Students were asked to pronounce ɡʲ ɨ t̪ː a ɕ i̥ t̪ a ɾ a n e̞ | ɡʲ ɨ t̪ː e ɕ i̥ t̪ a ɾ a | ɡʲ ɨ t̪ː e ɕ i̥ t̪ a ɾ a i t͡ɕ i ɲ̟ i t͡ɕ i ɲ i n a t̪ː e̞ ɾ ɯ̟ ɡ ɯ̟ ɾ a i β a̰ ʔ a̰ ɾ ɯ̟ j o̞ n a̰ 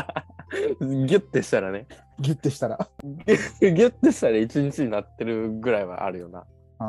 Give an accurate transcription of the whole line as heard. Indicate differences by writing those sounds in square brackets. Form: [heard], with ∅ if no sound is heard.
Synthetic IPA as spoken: ɡʲ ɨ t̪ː [e] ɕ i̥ t̪ a ɾ a n e̞ | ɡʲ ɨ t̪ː e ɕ i̥ t̪ a ɾ a | ɡʲ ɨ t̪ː e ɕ i̥ t̪ a ɾ a i t͡ɕ i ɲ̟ i t͡ɕ i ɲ i n a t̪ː e̞ ɾ ɯ̟ ɡ ɯ̟ ɾ a i β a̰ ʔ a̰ ɾ ɯ̟ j o̞ n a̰